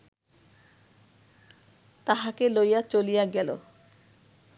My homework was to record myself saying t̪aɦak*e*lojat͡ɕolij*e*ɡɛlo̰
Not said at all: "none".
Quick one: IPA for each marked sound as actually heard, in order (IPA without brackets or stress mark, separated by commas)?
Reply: e, a